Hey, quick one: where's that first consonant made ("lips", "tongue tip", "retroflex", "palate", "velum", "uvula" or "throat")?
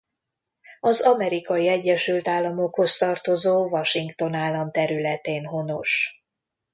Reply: tongue tip